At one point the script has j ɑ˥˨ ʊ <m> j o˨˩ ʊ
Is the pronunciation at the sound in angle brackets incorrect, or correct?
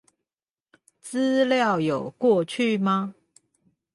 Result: incorrect